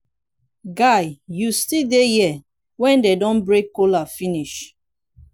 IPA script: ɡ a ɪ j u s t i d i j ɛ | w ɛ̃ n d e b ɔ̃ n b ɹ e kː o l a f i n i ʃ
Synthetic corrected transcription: ɡ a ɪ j u s t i d e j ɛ | w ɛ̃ n d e d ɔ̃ n b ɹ e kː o l a f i n i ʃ